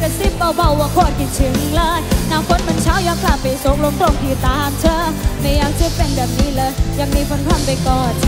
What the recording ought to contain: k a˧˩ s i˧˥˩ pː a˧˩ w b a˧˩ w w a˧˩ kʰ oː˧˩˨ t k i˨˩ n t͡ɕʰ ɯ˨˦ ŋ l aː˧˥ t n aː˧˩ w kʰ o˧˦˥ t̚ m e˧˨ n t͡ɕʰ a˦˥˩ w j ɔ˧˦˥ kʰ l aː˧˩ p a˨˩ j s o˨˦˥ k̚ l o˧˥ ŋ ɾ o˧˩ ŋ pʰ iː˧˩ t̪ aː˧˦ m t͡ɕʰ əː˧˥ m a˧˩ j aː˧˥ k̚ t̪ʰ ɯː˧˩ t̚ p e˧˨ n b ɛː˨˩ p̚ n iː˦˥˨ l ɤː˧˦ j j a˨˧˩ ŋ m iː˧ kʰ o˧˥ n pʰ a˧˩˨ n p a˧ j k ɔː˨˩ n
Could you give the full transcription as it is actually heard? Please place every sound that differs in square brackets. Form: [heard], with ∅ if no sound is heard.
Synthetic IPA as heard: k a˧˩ s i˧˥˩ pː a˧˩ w b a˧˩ w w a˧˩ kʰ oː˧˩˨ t k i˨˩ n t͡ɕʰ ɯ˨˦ ŋ l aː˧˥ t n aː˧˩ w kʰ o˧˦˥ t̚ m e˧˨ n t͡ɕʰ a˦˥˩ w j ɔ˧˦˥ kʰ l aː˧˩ p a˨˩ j s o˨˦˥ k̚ l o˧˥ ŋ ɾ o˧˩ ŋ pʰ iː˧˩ t̪ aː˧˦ m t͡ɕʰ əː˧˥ m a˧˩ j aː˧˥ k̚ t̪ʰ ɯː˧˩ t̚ p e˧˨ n b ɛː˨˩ p̚ n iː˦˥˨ l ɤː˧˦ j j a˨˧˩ ŋ m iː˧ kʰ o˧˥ n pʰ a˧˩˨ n p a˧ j k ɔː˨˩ n